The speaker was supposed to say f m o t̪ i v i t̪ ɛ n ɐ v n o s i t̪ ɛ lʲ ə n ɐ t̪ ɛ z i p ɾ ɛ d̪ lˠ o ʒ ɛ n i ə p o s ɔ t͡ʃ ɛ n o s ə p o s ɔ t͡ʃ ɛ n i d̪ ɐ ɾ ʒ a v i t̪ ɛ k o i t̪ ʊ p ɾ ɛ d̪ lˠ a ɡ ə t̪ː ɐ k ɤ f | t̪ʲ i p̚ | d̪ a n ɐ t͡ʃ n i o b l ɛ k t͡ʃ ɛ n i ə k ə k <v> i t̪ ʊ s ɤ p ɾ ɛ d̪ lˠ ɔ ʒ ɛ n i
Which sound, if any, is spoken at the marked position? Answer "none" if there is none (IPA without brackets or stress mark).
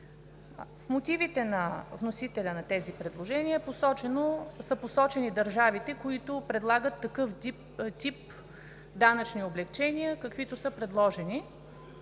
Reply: v